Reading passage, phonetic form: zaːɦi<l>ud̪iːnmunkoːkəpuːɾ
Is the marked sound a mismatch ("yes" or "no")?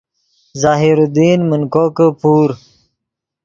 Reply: yes